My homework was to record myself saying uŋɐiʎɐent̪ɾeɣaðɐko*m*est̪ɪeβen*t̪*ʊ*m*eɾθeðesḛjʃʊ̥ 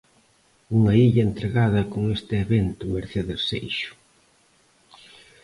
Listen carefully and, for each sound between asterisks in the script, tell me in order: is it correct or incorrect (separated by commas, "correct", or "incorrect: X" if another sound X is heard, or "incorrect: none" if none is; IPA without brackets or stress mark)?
incorrect: ŋ, correct, correct